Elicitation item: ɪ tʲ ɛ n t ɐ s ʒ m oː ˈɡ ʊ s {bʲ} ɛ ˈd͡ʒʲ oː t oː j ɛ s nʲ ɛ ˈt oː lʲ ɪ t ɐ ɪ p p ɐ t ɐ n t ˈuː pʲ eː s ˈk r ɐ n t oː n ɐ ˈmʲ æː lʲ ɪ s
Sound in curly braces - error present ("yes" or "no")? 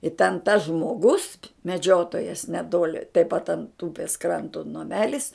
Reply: yes